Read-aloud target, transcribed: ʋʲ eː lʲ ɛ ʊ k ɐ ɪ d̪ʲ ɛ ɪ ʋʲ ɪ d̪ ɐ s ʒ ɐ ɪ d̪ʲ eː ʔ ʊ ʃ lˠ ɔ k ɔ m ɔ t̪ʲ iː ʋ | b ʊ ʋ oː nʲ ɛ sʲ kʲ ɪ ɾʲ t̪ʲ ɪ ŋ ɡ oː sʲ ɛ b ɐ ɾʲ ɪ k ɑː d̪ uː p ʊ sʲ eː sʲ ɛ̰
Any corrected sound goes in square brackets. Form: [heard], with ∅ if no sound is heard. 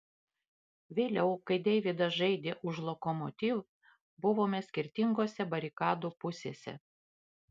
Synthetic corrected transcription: ʋʲ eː lʲ ɛ ʊ k ɐ ɪ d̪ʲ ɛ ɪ ʋʲ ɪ d̪ ɐ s ʒ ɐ ɪ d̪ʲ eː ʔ ʊ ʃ lˠ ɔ k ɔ m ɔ t̪ʲ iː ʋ | b ʊ ʋ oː [mʲ] ɛ sʲ kʲ ɪ ɾʲ t̪ʲ ɪ ŋ ɡ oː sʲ ɛ b ɐ ɾʲ ɪ k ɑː d̪ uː p ʊ sʲ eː sʲ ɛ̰

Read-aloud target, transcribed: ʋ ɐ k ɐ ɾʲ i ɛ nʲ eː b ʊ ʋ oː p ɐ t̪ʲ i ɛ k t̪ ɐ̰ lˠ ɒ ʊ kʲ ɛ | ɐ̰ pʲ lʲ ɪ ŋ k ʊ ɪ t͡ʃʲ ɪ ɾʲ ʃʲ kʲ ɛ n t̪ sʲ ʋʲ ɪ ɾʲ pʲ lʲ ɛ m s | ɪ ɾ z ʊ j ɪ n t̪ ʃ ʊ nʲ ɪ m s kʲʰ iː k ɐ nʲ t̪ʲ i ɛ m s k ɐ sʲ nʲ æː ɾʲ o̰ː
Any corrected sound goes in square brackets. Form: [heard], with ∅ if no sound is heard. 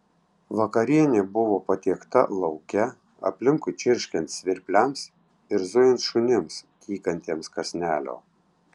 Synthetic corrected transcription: ʋ ɐ k ɐ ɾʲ i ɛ nʲ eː b ʊ ʋ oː p ɐ t̪ʲ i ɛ k t̪ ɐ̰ lˠ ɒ ʊ kʲ ɛ | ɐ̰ pʲ lʲ ɪ ŋ k ʊ ɪ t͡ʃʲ ɪ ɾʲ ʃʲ kʲ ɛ n t̪ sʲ ʋʲ ɪ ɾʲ pʲ lʲ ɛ m s | ɪ ɾ z ʊ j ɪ n t̪ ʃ ʊ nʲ ɪ m s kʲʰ iː k ɐ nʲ t̪ʲ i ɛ m s k ɐ sʲ nʲ æː [lʲ] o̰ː

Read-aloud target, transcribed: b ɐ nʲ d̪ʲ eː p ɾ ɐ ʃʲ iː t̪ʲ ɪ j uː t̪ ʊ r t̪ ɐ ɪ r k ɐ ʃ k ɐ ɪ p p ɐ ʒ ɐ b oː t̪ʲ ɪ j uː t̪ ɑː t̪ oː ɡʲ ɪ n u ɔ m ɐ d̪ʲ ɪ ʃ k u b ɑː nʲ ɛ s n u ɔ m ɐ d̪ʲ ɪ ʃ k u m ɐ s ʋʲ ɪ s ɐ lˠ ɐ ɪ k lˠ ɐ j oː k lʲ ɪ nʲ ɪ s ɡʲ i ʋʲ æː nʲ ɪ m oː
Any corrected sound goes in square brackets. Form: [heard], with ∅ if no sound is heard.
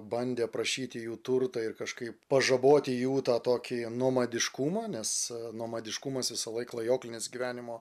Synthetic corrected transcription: b ɐ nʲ d̪ʲ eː p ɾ ɐ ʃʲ iː t̪ʲ ɪ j uː t̪ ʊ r t̪ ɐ ɪ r k ɐ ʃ k ɐ ɪ p p ɐ ʒ ɐ b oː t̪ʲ ɪ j uː t̪ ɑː t̪ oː [kʲ] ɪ n u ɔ m ɐ d̪ʲ ɪ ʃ k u [m] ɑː nʲ ɛ s n u ɔ m ɐ d̪ʲ ɪ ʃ k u m ɐ s ʋʲ ɪ s ɐ lˠ ɐ ɪ k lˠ ɐ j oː k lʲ ɪ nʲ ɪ s ɡʲ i ʋʲ æː nʲ ɪ m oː

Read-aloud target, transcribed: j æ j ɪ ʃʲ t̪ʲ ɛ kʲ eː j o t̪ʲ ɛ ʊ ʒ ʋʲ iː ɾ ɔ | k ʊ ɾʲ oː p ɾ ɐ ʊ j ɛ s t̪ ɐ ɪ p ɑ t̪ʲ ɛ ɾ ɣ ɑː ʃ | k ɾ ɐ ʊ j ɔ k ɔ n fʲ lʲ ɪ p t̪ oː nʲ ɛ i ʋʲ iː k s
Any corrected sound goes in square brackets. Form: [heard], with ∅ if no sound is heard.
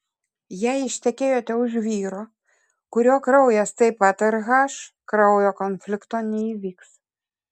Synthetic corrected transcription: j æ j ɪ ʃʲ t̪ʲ ɛ kʲ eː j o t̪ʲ ɛ ʊ ʒ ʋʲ iː ɾ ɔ | k ʊ ɾʲ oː [k] ɾ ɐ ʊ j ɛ s t̪ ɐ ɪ p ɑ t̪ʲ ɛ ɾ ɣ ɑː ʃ | k ɾ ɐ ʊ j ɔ k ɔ n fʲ lʲ ɪ [k] t̪ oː nʲ ɛ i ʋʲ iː k s

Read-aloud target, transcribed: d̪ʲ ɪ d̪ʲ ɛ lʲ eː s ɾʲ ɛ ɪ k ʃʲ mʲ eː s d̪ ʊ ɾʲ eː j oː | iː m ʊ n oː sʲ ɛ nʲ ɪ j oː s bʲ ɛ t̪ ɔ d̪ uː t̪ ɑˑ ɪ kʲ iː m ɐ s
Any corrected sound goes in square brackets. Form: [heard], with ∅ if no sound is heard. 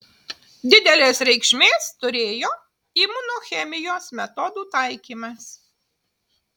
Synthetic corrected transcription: d̪ʲ ɪ d̪ʲ ɛ lʲ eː s ɾʲ ɛ ɪ k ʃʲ mʲ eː s [t̪] ʊ ɾʲ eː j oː | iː m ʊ n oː [xʲ] ɛ [mʲ] ɪ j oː s [mʲ] ɛ t̪ ɔ d̪ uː t̪ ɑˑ ɪ kʲ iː m ɐ s

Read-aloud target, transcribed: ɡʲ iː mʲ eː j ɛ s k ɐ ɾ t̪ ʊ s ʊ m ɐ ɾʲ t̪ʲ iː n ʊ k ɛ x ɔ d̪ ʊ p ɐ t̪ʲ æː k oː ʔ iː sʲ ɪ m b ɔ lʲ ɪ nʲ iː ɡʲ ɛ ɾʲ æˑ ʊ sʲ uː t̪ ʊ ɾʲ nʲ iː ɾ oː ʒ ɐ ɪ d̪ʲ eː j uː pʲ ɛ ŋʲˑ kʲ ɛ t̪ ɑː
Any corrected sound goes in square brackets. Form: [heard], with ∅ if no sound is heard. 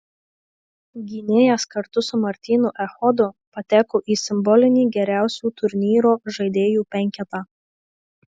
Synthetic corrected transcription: ɡʲ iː [nʲ] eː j ɛ s k ɐ ɾ t̪ ʊ s ʊ m ɐ ɾʲ t̪ʲ iː n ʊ [ʔ] ɛ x ɔ d̪ ʊ p ɐ t̪ʲ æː k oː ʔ iː sʲ ɪ m b ɔ lʲ ɪ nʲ iː ɡʲ ɛ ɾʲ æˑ ʊ sʲ uː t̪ ʊ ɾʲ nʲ iː ɾ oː ʒ ɐ ɪ d̪ʲ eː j uː pʲ ɛ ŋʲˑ kʲ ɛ t̪ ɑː

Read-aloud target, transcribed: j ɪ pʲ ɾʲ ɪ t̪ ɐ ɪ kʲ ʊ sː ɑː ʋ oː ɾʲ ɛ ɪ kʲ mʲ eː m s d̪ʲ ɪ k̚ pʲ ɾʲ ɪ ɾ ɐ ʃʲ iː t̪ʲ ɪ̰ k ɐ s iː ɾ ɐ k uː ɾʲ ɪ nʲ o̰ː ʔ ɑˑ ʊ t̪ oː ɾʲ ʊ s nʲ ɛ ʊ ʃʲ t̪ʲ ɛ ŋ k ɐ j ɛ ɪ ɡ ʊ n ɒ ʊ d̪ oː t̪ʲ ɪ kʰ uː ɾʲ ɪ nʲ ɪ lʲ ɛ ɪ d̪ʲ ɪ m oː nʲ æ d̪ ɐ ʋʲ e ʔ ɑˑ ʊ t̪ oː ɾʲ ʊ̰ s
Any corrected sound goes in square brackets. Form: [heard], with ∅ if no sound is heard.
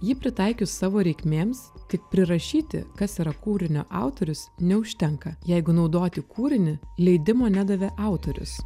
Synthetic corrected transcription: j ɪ pʲ ɾʲ ɪ t̪ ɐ ɪ kʲ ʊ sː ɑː ʋ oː ɾʲ ɛ ɪ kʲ mʲ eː m s [t̪ʲ] ɪ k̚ pʲ ɾʲ ɪ ɾ ɐ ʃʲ iː t̪ʲ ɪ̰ k ɐ s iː ɾ ɐ k uː ɾʲ ɪ nʲ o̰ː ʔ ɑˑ ʊ t̪ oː ɾʲ ʊ s nʲ ɛ ʊ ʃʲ t̪ʲ ɛ ŋ k ɐ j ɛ ɪ ɡ ʊ n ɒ ʊ d̪ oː t̪ʲ ɪ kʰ uː ɾʲ ɪ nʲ ɪ lʲ ɛ ɪ d̪ʲ ɪ m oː nʲ æ d̪ ɐ ʋʲ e ʔ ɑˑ ʊ t̪ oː ɾʲ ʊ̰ s

